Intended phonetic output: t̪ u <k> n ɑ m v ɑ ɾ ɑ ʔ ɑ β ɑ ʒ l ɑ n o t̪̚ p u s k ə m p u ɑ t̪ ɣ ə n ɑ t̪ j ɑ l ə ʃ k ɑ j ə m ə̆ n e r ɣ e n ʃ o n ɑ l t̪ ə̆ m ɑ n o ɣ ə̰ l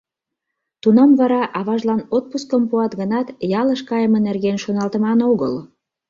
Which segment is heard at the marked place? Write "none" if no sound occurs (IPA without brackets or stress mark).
none